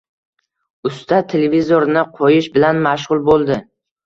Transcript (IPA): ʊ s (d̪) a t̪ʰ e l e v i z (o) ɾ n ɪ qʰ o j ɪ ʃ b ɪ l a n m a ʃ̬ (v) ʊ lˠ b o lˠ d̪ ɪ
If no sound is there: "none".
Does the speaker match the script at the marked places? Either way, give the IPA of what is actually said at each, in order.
t̪, o, ʁ

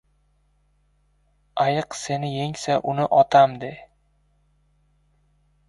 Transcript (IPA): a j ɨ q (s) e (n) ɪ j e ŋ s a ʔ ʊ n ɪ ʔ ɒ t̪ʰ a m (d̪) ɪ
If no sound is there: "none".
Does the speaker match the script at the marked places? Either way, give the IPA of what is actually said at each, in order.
s, n, d̪

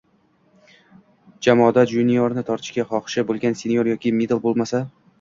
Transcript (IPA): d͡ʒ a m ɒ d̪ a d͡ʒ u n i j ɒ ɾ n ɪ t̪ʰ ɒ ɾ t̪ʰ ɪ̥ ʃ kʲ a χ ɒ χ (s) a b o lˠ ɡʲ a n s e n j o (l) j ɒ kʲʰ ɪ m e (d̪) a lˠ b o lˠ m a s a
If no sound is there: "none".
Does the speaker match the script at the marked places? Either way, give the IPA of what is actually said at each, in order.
ʃ, ɾ, d̪

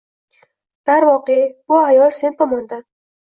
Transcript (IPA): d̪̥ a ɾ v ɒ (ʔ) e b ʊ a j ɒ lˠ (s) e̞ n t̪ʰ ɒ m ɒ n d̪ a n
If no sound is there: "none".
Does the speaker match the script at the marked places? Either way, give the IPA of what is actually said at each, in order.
q, s

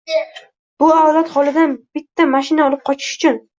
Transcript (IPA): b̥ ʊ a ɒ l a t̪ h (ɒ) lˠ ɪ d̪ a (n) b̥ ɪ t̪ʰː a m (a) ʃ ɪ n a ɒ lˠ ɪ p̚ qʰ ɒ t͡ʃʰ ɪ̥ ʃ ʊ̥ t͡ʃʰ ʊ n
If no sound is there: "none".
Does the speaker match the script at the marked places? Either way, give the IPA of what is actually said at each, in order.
ɒ, n, a

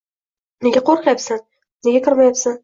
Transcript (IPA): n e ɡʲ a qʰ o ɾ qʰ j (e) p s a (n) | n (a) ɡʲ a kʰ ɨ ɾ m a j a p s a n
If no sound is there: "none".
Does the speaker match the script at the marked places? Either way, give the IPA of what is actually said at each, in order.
a, n, e

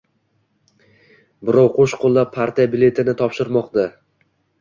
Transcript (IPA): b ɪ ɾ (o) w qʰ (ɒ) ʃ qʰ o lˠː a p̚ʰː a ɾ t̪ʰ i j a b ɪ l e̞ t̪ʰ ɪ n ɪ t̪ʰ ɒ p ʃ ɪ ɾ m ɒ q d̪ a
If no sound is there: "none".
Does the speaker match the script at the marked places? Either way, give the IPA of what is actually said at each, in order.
ɒ, o

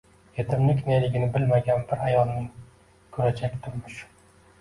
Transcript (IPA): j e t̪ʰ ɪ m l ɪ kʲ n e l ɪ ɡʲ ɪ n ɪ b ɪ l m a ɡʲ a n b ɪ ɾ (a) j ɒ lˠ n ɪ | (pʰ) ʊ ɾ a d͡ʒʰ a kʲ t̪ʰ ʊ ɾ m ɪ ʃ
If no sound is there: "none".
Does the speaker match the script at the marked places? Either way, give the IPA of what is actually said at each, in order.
a, kʰ

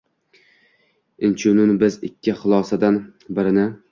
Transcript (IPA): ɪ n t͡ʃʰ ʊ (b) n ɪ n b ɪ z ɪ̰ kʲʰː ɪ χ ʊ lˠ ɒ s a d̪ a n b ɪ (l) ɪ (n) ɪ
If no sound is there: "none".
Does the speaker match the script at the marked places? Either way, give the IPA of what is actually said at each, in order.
none, ɾ, n

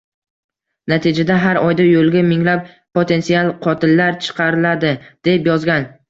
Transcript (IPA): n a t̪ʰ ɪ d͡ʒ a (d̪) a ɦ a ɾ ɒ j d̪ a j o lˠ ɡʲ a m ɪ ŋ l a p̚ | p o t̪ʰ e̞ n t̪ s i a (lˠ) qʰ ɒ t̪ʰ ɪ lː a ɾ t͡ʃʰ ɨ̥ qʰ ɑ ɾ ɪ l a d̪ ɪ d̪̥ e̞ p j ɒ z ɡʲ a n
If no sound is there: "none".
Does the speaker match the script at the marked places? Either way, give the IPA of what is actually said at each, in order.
d̪, lˠ

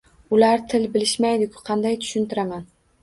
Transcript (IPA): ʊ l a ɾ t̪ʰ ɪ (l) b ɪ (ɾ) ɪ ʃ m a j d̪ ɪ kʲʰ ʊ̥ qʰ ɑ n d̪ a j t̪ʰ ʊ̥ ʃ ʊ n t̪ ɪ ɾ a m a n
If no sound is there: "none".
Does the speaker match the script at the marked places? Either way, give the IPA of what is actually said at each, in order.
l, l

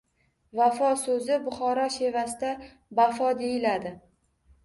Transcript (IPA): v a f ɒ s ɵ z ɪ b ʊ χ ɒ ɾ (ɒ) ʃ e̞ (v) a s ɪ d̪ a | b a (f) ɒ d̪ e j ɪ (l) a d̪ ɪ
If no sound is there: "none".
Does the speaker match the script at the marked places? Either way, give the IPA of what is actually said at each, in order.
ɒ, v, f, l

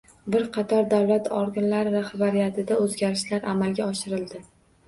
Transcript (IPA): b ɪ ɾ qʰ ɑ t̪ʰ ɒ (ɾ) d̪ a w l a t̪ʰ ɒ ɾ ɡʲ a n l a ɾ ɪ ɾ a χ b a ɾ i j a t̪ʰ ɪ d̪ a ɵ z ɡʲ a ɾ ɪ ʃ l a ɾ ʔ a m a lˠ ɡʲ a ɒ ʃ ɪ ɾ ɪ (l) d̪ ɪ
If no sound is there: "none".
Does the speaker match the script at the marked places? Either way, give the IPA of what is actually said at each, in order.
ɾ, l

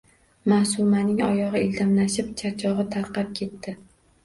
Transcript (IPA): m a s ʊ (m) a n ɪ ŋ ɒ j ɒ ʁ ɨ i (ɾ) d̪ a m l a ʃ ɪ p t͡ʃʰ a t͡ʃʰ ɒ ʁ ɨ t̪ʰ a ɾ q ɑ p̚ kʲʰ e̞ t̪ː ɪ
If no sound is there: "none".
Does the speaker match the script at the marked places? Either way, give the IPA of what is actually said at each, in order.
m, l

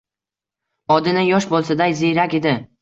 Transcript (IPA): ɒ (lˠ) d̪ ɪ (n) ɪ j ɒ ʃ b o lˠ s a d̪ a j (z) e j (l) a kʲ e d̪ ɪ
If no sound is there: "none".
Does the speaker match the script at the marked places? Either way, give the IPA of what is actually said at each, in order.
none, n, z, ɾ

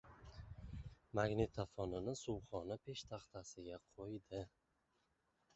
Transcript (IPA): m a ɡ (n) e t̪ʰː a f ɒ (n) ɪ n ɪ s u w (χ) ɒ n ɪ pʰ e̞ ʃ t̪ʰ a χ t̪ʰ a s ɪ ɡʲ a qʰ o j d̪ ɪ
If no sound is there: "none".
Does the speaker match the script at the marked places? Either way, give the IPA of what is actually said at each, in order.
n, n, χ

